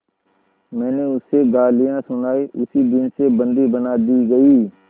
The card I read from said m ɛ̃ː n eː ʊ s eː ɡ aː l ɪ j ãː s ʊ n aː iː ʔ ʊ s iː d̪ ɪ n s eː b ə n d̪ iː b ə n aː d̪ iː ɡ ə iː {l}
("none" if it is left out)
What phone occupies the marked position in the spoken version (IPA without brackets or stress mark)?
none